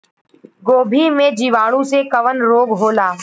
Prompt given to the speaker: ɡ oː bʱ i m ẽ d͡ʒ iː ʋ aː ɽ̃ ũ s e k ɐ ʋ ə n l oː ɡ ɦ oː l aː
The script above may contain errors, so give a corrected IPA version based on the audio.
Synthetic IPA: ɡ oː bʱ i m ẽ d͡ʒ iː ʋ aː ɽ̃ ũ s e k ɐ ʋ ə n ɾ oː ɡ ɦ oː l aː